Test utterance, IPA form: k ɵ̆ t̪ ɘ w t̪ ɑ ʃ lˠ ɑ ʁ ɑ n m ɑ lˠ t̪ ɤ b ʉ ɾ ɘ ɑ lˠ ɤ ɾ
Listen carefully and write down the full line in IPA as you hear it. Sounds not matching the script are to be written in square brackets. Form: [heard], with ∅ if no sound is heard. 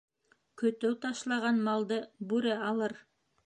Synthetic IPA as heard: k ɵ̆ t̪ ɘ w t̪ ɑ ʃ lˠ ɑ ʁ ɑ n m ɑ lˠ [d̪] ɤ b ʉ ɾ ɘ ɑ lˠ ɤ ɾ